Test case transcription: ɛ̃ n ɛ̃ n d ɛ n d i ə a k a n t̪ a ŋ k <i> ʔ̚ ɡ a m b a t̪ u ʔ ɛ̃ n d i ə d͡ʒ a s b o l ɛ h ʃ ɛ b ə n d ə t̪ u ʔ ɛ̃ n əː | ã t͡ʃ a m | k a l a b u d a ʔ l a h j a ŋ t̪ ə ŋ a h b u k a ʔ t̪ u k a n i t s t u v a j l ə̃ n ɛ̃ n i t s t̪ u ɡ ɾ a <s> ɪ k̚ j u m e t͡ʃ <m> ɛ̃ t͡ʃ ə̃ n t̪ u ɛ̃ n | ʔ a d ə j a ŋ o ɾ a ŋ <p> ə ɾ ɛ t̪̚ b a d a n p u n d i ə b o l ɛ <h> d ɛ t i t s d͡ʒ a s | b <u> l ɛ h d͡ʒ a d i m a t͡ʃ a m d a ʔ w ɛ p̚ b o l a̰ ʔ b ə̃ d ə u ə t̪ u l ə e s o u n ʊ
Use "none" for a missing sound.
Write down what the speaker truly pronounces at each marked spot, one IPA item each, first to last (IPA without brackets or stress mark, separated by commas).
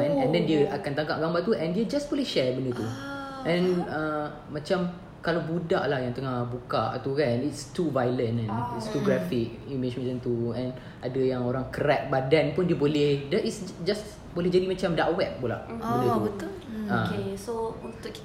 a, f, m, k, h, o